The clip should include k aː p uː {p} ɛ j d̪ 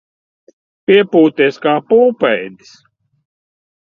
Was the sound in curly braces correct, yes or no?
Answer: yes